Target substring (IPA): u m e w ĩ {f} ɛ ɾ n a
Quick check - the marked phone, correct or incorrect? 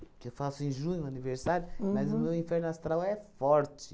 correct